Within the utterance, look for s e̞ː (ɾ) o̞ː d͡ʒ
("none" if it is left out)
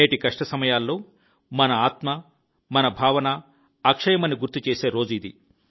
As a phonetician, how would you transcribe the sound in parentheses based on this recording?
ɾ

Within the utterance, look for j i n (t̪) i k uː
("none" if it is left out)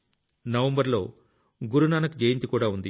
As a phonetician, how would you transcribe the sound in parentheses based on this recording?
t̪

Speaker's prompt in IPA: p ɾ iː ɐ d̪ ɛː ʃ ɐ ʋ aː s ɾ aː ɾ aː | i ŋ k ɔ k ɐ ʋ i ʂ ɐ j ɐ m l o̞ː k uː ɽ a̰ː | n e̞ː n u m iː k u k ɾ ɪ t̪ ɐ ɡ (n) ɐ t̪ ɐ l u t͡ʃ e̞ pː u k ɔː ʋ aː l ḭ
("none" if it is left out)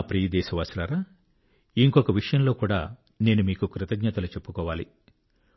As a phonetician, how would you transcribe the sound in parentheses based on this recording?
ɲ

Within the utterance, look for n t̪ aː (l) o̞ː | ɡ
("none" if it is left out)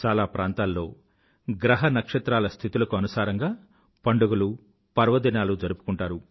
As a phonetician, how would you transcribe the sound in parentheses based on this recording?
lː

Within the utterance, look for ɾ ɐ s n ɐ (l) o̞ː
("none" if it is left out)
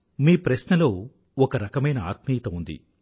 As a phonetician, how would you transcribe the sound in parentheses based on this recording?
l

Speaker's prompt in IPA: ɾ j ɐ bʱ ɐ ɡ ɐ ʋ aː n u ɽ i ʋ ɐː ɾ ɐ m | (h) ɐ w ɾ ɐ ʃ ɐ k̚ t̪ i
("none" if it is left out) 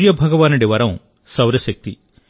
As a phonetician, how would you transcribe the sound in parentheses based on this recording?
s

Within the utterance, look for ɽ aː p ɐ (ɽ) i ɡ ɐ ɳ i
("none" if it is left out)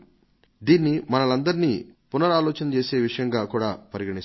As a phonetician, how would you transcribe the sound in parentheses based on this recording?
ɾ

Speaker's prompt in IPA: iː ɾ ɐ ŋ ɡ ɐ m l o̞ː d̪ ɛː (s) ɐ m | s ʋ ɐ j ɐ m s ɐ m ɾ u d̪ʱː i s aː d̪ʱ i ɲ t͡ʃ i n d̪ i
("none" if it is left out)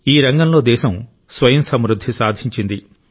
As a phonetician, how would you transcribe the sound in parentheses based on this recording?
ʃ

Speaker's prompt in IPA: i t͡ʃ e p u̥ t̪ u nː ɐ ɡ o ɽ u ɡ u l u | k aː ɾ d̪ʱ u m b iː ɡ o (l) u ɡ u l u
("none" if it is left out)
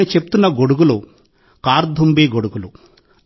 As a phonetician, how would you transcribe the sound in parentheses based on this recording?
ɽ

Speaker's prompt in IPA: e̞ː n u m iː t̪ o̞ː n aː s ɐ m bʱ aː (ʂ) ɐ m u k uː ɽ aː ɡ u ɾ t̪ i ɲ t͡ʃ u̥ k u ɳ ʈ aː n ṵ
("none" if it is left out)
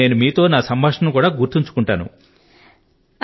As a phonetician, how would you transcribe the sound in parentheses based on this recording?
ʂ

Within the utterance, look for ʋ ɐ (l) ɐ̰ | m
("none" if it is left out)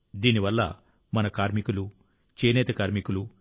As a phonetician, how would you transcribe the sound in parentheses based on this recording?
lː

